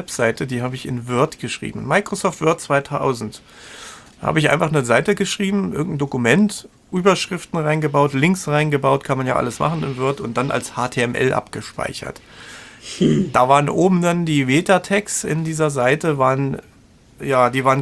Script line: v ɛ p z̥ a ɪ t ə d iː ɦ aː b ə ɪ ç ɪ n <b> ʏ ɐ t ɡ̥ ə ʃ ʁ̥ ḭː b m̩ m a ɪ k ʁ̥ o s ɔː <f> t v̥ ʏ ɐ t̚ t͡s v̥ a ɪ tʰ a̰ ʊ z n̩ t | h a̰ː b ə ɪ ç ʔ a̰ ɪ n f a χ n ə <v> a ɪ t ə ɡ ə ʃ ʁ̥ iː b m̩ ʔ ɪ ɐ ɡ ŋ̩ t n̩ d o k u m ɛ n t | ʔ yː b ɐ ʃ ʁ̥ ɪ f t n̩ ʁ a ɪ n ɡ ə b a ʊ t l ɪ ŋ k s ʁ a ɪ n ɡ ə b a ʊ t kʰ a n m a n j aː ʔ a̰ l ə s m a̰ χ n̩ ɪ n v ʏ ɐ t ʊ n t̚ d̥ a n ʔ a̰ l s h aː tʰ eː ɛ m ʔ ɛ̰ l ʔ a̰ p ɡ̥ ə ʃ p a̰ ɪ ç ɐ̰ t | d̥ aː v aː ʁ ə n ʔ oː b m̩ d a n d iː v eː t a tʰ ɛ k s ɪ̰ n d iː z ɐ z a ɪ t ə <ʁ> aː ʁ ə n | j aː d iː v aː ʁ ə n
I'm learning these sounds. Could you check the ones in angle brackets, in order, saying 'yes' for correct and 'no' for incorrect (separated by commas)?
no, yes, no, no